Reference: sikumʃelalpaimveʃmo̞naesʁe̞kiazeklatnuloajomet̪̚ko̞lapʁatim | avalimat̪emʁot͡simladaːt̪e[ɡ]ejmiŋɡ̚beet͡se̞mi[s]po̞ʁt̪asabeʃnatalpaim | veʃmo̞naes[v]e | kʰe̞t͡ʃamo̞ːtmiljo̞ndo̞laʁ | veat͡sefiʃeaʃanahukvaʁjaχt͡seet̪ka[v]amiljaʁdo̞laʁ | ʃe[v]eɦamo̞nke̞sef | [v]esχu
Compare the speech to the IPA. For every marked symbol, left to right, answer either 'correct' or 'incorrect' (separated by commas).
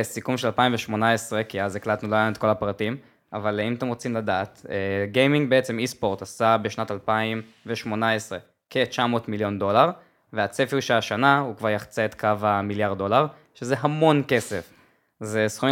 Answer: correct, correct, incorrect, correct, incorrect, incorrect